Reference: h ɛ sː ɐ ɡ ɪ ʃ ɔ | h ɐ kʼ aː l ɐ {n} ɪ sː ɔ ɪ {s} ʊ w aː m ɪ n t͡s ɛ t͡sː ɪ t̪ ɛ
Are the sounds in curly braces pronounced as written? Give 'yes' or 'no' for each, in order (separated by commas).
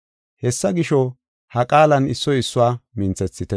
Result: yes, no